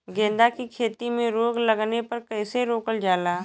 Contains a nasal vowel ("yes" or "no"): yes